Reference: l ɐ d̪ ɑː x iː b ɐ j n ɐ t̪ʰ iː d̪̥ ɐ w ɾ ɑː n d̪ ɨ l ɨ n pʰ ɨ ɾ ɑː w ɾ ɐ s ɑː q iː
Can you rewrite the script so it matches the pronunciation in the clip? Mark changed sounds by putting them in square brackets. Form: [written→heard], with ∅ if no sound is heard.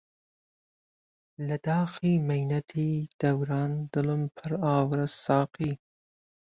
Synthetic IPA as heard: l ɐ d̪ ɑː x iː [b→m] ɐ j n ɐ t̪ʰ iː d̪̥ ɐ w ɾ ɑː n d̪ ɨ l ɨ [n→m] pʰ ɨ ɾ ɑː w ɾ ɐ s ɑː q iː